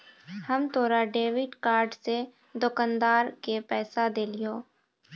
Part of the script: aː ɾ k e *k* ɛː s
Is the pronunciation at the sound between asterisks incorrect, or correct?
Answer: incorrect